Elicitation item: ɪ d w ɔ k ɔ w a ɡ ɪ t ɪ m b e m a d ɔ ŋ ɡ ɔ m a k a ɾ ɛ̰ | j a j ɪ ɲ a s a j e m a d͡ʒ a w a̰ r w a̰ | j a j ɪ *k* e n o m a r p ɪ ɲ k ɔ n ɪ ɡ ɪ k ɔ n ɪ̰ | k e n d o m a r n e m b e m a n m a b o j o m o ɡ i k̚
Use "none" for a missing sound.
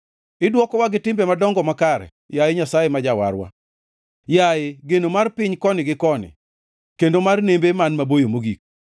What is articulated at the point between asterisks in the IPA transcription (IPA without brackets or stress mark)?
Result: ɡ